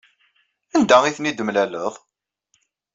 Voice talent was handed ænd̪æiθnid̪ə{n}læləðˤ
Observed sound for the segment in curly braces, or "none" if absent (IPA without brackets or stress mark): m